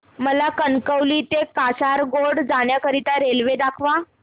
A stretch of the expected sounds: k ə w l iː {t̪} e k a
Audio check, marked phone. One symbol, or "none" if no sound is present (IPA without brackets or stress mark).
t̪